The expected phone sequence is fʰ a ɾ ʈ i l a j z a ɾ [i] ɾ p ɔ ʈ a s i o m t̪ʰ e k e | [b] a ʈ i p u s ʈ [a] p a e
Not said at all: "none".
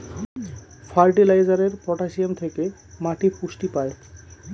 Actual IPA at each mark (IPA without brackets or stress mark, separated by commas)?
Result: e, m, i